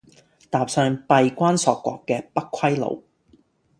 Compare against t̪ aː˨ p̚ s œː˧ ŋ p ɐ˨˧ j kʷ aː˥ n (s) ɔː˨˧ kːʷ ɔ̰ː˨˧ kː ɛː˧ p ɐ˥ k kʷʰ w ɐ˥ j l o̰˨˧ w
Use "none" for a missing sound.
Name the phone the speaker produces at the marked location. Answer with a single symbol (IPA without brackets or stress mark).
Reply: s